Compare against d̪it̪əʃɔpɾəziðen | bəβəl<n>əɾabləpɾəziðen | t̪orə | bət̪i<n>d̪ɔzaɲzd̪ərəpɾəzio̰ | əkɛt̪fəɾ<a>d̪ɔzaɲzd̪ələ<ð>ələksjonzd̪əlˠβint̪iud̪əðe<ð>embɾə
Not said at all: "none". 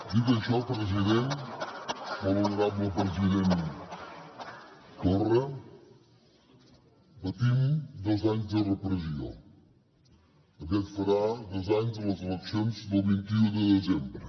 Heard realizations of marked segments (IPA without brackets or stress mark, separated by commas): n, m, a, z, z